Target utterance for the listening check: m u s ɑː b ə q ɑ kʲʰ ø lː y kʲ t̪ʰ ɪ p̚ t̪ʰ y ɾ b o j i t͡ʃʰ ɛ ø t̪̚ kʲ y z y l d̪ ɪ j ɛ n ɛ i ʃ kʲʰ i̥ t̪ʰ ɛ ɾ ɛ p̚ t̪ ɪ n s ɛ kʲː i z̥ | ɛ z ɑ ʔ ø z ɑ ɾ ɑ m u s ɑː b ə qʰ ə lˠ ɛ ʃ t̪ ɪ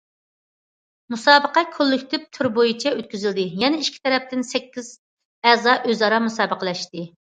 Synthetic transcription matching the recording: m u s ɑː b ə q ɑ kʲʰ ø lː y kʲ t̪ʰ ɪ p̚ t̪ʰ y ɾ b o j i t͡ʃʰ ɛ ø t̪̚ kʲ y z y l d̪ ɪ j ɛ n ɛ i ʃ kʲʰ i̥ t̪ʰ ɛ ɾ ɛ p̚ t̪ ɪ n s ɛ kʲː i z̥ | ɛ z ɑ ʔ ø z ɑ ɾ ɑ m u s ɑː b ə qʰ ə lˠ ɛ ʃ t̪ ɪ